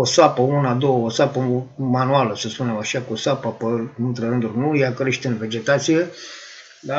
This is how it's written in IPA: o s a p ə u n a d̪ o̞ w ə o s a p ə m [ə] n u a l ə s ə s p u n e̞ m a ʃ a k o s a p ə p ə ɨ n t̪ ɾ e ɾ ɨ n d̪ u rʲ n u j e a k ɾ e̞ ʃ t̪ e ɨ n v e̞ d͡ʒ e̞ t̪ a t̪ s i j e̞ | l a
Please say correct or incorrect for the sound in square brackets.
incorrect: a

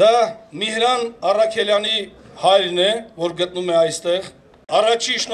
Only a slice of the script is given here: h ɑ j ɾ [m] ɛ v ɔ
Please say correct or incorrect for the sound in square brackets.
incorrect: n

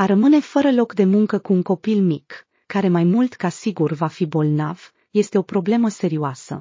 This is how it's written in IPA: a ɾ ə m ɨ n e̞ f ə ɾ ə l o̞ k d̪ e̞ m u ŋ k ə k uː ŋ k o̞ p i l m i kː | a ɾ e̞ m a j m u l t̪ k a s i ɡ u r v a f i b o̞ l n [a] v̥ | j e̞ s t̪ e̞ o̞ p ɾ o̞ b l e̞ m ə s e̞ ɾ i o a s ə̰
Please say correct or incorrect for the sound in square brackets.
correct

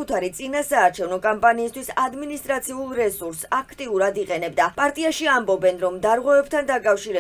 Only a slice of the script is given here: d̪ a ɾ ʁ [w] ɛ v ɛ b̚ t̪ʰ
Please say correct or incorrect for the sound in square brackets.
correct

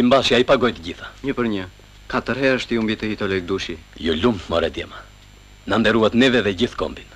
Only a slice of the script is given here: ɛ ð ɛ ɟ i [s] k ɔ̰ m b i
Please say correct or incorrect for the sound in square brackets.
incorrect: θ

